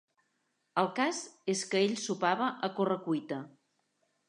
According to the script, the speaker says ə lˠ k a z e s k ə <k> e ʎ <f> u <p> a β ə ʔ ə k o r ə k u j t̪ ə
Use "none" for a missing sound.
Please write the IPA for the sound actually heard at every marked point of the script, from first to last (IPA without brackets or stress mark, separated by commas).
none, s, p